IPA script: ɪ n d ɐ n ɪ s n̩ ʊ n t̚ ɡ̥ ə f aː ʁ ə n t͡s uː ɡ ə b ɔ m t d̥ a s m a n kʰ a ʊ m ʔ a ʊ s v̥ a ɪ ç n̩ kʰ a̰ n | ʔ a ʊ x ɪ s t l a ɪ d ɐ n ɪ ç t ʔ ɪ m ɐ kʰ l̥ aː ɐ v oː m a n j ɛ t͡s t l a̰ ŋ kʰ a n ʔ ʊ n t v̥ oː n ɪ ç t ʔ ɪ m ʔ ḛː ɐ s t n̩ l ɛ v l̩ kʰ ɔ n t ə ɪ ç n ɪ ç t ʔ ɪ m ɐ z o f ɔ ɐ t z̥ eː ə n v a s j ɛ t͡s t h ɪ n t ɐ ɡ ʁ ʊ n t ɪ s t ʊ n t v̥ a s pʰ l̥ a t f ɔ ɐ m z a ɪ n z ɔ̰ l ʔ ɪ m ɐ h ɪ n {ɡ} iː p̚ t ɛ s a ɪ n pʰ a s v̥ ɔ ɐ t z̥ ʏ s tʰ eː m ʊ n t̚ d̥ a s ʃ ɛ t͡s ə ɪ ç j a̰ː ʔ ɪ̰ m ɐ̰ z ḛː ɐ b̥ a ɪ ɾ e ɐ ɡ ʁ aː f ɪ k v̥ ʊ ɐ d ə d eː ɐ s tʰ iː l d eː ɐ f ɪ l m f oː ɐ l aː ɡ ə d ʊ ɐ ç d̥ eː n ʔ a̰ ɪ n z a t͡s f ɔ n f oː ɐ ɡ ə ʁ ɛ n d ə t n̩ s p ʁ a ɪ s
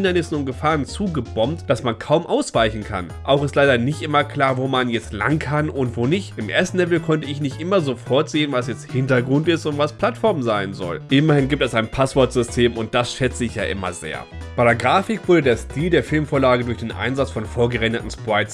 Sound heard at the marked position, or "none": ɡ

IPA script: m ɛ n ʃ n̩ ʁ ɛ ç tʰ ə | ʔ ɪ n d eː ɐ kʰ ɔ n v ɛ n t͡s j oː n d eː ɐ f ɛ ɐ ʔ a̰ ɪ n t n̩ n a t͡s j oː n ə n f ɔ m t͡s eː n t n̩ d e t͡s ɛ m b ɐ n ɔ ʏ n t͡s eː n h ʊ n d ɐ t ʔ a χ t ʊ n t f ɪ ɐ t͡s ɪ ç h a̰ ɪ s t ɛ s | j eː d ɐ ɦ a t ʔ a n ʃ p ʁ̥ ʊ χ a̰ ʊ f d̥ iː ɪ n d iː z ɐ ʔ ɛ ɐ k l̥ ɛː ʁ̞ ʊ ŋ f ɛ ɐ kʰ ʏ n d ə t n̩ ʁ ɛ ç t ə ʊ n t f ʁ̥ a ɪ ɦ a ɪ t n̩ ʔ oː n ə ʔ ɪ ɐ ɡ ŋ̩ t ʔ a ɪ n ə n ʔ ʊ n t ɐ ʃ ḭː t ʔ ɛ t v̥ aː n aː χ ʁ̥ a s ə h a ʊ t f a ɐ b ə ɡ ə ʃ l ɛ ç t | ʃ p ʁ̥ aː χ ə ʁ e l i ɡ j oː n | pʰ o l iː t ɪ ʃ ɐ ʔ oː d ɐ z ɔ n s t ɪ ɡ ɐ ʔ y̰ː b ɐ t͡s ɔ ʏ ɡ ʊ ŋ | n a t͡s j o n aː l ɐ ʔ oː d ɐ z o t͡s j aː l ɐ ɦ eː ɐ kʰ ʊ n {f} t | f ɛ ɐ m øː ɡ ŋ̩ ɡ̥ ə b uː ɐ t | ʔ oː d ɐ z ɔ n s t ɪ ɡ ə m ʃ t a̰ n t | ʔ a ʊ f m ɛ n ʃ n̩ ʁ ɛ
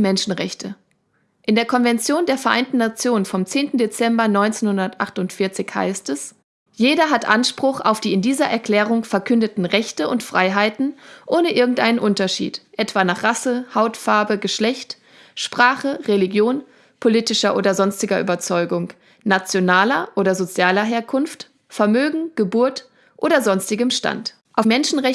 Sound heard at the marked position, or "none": f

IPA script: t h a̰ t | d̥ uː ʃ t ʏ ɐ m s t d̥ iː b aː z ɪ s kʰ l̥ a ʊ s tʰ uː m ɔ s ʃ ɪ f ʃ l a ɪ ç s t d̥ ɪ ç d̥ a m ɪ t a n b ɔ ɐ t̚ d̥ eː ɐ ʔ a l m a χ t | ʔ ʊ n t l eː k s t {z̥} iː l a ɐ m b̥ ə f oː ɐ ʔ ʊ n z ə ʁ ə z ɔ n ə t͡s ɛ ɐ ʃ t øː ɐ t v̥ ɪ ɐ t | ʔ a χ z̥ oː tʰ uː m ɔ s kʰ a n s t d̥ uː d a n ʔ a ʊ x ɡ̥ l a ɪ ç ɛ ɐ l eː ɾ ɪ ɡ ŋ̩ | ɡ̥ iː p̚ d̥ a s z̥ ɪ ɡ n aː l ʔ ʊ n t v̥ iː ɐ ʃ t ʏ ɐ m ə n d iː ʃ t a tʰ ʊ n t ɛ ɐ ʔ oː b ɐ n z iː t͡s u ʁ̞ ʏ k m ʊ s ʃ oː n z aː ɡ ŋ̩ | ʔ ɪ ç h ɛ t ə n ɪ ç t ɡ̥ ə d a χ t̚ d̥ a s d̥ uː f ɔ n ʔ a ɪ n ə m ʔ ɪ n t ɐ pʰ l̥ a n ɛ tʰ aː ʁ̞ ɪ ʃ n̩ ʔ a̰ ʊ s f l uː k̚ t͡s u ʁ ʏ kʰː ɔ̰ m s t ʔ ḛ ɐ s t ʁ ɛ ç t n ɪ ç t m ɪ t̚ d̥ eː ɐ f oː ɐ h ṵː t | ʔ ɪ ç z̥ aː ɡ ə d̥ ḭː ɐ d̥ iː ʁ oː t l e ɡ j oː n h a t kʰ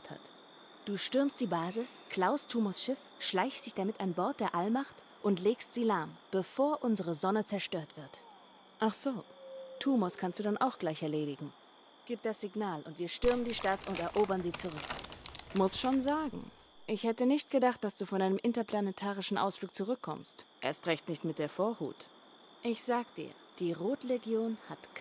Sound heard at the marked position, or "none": z̥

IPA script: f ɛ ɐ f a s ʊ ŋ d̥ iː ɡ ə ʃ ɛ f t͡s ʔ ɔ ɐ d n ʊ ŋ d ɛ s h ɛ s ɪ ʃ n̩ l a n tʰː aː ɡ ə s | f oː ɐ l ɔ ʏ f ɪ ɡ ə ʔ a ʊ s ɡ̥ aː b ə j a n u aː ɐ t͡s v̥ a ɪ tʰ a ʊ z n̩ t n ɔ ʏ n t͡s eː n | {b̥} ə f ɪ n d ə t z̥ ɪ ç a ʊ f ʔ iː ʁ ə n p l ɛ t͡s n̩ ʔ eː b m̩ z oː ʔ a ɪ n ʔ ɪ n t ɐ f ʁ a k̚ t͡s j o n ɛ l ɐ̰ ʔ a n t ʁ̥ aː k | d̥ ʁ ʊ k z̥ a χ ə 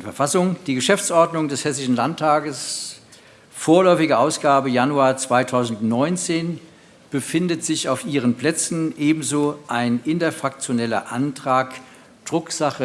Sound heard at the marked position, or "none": b̥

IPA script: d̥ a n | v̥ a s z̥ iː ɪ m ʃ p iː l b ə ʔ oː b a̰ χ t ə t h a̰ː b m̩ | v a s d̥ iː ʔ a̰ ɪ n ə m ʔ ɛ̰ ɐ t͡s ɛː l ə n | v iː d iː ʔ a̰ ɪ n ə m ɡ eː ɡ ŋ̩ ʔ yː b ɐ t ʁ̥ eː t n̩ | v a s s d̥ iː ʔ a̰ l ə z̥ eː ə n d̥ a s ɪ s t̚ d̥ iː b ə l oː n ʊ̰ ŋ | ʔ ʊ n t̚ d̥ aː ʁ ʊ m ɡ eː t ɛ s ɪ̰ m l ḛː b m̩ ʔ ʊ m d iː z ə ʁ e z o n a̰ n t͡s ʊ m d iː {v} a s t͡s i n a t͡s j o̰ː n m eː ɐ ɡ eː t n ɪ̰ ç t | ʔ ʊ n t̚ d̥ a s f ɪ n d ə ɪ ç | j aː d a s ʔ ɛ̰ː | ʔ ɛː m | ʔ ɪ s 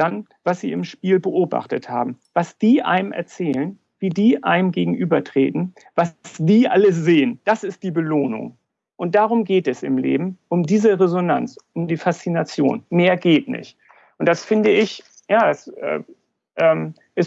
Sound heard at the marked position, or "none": f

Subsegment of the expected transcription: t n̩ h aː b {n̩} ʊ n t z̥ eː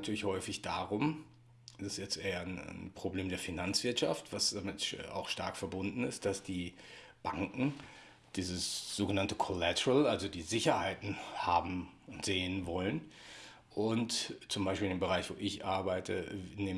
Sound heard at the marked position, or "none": m̩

